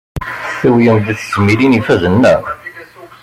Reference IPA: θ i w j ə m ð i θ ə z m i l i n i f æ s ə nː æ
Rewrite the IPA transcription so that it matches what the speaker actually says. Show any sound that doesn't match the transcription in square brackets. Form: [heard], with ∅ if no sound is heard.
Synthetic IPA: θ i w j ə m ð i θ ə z m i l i n i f æ [z] ə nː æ